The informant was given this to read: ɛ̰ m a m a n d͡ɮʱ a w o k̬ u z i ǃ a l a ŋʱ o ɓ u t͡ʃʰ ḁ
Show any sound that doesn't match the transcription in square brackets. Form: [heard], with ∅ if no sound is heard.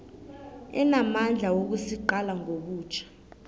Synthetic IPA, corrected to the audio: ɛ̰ [n] a m a n d͡ɮʱ a w o k̬ u [s] i ǃ a l a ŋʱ o ɓ [uː] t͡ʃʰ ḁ